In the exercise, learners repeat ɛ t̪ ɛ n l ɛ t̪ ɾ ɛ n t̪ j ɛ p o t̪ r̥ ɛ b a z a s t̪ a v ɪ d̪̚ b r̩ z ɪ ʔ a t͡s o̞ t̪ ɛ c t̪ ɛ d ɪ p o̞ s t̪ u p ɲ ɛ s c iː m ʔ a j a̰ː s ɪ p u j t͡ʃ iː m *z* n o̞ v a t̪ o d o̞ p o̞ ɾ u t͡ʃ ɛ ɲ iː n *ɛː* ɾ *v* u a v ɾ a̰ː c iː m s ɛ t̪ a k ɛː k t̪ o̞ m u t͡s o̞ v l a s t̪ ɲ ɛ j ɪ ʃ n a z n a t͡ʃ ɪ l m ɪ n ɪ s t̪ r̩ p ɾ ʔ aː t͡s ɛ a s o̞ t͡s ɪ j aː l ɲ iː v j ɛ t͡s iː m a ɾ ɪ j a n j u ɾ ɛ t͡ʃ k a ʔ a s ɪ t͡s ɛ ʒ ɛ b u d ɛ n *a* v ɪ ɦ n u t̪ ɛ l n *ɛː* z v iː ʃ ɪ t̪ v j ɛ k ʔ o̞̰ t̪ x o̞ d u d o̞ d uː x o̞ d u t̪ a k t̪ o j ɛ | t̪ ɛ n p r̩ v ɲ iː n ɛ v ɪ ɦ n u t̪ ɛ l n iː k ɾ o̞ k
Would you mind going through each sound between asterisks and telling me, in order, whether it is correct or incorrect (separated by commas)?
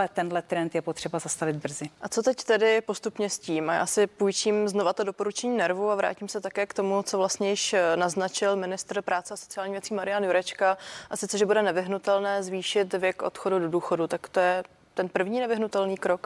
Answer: correct, incorrect, correct, incorrect, correct